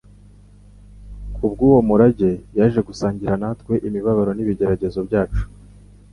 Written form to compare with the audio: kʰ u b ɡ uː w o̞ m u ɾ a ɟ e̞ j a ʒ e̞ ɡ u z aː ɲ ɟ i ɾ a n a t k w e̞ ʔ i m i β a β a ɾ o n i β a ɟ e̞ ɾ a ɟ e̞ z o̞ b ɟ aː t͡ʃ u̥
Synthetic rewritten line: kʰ u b ɡ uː w o̞ m u ɾ a ɟ e̞ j a ʒ e̞ ɡ u s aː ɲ ɟ i ɾ a n a t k w e̞ ʔ i m i β a β a ɾ o n i β i ɟ e̞ ɾ a ɟ e̞ z o̞ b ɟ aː t͡ʃ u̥